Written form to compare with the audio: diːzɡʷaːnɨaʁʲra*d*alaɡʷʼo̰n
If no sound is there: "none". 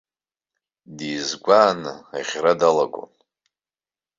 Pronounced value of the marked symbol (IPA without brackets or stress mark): d